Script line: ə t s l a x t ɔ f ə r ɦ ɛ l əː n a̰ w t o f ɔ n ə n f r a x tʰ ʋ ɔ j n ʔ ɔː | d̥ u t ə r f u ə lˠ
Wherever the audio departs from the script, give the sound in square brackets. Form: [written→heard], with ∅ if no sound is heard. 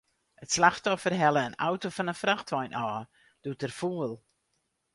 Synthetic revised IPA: ə t s l a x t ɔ f ə r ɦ ɛ l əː n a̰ w t o f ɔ n ə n f r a x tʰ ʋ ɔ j n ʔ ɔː | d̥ u t ə r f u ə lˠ